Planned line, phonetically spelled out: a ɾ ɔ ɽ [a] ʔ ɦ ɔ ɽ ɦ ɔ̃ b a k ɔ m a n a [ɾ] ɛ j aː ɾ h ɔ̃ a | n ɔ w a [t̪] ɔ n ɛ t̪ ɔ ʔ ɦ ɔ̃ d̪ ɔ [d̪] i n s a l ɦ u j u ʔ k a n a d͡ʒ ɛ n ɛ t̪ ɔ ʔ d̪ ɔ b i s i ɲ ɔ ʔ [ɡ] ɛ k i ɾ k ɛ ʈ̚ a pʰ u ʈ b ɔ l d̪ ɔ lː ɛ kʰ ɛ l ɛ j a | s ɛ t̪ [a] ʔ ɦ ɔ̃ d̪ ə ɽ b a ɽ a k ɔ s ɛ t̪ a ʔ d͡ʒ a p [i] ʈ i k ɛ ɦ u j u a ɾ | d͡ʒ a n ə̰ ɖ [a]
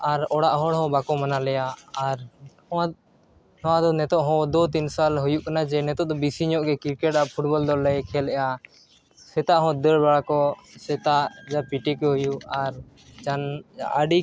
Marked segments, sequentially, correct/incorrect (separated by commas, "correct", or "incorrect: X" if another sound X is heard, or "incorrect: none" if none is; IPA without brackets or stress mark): correct, incorrect: l, incorrect: d̪, incorrect: t̪, correct, correct, correct, incorrect: i